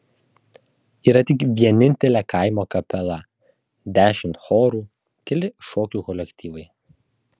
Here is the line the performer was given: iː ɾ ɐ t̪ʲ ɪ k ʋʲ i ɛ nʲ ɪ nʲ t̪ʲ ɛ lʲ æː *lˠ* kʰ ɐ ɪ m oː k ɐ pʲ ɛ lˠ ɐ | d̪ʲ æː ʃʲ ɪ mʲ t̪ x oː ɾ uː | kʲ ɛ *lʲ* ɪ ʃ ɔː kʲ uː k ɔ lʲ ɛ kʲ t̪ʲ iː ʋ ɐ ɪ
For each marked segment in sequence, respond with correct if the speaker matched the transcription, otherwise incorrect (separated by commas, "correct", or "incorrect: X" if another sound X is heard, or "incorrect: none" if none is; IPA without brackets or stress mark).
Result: incorrect: none, correct